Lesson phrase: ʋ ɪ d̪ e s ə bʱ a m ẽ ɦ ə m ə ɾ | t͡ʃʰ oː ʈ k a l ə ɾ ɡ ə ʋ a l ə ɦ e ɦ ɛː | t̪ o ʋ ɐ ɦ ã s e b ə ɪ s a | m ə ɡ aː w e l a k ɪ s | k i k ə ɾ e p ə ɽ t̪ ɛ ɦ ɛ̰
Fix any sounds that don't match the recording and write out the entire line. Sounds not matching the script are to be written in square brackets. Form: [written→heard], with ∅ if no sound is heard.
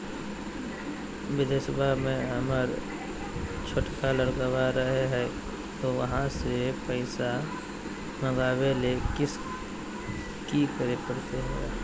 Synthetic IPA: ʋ ɪ d̪ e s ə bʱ a m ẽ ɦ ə m ə ɾ | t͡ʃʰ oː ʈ k a l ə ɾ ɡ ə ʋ a [l→ɾ] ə ɦ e ɦ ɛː | t̪ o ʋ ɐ ɦ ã s e [b→p] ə ɪ s a | m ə ɡ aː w e l [a→e] k ɪ s | k i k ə ɾ e p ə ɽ t̪ [ɛ→e] ɦ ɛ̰